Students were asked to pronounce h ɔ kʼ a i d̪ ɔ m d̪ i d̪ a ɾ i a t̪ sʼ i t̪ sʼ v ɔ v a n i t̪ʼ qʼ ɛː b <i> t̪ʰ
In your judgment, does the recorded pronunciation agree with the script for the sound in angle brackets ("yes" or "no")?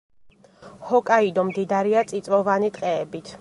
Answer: yes